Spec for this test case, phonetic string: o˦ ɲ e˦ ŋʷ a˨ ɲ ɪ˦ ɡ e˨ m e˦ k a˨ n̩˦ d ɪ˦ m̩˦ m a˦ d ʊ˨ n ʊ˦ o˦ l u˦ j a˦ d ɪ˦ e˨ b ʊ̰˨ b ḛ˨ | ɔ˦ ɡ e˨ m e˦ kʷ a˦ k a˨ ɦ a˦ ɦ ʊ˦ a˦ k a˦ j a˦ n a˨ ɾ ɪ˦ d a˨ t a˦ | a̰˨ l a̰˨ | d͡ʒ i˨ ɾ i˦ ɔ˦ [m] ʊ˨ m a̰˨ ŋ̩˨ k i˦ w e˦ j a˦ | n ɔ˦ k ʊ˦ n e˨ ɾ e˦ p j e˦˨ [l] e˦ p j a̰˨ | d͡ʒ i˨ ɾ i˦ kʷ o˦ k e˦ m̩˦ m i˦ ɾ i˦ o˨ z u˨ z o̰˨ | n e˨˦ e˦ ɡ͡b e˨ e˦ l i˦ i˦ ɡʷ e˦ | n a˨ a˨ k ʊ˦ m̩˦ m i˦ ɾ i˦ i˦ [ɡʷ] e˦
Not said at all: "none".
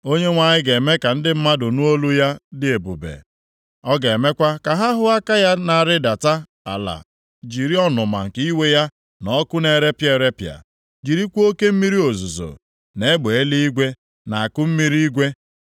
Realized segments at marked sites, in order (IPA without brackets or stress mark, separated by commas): n, ɾ, ɡʷ